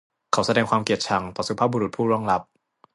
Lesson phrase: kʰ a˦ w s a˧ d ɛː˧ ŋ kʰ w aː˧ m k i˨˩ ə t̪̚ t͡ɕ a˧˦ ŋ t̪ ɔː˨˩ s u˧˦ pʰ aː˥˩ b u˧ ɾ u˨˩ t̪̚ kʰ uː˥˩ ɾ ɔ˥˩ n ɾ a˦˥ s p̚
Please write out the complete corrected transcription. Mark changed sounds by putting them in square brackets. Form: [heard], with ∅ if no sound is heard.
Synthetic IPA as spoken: kʰ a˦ w s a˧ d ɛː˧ ŋ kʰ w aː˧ m k i˨˩ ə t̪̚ [t͡ɕʰ] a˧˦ ŋ t̪ ɔː˨˩ s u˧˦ pʰ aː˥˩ b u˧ ɾ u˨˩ t̪̚ [pʰ] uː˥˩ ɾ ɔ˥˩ [ŋ] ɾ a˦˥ [∅] p̚